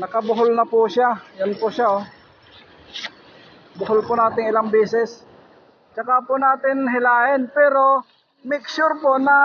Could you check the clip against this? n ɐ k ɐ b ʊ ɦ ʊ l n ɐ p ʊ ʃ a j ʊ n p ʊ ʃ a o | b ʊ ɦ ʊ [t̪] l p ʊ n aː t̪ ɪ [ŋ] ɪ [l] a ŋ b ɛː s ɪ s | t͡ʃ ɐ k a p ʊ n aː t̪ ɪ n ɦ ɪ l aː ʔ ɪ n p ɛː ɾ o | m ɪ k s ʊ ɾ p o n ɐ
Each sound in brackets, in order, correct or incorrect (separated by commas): incorrect, correct, correct